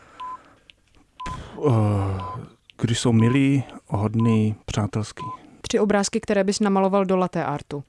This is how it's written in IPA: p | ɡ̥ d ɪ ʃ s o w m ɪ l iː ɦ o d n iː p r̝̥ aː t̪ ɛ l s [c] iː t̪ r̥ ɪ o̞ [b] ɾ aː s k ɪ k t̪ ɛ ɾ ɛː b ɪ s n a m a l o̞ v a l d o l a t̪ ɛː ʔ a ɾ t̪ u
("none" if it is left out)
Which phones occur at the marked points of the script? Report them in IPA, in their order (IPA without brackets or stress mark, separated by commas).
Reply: k, b